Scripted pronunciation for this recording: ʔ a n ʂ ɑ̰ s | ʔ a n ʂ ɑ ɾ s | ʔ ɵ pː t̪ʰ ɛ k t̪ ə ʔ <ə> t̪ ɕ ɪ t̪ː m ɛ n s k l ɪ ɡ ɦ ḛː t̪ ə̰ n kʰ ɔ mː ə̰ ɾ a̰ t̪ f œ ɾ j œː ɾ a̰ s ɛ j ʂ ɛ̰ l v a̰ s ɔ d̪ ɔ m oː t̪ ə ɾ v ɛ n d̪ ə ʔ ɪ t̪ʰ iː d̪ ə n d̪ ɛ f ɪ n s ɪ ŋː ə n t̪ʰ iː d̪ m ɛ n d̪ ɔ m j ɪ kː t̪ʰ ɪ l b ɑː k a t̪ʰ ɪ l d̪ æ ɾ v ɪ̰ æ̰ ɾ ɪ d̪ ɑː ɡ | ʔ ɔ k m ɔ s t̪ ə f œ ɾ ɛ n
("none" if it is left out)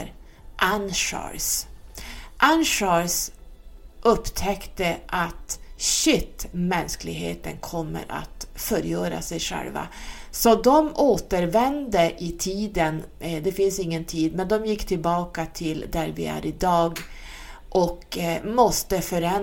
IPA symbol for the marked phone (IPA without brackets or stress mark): a